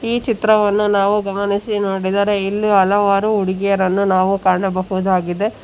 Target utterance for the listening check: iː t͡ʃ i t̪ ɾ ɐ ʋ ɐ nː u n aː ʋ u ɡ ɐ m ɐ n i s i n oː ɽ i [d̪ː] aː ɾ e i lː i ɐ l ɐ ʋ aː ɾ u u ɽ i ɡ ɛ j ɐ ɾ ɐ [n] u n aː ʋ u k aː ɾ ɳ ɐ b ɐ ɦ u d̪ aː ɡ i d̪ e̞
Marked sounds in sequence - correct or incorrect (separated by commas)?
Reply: incorrect, incorrect